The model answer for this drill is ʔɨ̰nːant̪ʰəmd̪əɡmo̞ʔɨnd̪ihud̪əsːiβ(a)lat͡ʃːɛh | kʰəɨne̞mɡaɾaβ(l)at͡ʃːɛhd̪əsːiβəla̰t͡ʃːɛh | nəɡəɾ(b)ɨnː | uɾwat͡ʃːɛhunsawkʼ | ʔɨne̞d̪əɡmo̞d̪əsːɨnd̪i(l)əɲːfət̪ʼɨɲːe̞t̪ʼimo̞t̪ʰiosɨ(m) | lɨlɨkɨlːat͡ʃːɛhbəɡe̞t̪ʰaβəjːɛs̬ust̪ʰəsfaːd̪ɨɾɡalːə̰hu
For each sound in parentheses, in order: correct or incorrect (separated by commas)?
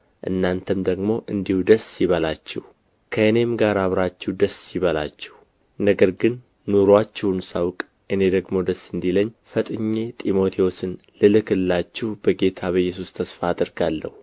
incorrect, incorrect, incorrect, correct, incorrect